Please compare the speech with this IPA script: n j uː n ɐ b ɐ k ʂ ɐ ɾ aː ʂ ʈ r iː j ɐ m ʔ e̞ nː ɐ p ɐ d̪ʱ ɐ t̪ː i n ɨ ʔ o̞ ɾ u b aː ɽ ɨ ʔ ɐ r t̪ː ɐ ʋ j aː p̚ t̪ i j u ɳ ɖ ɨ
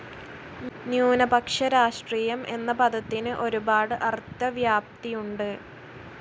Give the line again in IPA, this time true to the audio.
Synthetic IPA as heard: n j uː n ɐ b ɐ k ʂ ɐ ɾ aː ʂ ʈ r iː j ɐ m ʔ e̞ nː ɐ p ɐ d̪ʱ ɐ t̪ː i n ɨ ʔ o̞ ɾ u b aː ɽ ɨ ʔ ɐ r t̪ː ɐ ʋ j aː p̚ t̪ i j u ɳ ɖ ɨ